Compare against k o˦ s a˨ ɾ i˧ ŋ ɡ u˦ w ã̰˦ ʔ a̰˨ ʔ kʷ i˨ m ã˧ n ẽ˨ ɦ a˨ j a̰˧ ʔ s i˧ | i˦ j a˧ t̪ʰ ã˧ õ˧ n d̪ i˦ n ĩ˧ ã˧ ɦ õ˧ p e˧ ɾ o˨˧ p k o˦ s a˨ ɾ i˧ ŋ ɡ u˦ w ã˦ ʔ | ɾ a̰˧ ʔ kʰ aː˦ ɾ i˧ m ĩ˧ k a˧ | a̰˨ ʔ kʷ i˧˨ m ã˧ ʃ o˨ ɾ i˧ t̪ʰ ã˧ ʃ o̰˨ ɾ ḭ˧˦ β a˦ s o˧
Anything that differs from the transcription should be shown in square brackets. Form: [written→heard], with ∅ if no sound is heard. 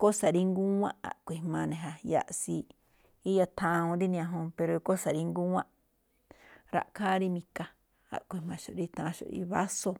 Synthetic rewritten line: k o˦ s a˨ ɾ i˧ ŋ ɡ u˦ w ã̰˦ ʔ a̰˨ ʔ kʷ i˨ m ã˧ n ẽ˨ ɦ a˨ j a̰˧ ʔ s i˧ | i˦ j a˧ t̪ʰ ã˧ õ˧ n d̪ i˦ n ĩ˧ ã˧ ɦ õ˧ p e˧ ɾ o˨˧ [p→∅] k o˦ s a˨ ɾ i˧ ŋ ɡ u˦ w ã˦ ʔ | ɾ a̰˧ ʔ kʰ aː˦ ɾ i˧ m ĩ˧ k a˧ | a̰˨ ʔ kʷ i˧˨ m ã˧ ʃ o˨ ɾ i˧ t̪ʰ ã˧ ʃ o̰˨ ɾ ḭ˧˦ β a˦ s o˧